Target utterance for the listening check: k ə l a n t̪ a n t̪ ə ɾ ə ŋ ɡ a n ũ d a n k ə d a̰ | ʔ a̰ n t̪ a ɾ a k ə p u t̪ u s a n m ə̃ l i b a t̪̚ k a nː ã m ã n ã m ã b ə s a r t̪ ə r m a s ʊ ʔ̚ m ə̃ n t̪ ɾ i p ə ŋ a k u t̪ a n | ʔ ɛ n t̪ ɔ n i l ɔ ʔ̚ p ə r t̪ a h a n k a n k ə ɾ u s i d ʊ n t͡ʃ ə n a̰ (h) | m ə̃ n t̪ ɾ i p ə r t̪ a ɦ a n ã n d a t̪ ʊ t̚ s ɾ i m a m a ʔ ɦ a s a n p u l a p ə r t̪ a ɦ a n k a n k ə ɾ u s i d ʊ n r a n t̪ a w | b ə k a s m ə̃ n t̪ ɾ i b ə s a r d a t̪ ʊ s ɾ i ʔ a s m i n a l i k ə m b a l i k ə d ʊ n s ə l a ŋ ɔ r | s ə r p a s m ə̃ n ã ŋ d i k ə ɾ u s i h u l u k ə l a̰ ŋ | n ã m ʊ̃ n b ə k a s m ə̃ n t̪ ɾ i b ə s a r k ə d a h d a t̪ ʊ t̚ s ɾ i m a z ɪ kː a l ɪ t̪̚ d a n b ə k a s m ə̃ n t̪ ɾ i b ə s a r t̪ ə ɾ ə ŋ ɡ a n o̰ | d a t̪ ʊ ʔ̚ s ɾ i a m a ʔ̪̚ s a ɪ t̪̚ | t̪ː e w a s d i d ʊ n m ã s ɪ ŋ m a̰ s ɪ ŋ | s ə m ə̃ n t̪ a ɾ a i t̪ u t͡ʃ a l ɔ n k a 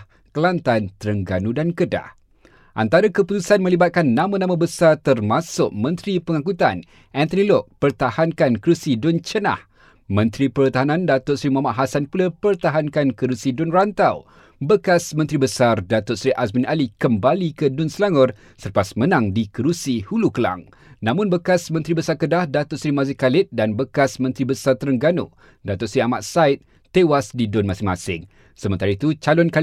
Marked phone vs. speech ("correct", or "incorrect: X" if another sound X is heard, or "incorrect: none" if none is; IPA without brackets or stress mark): correct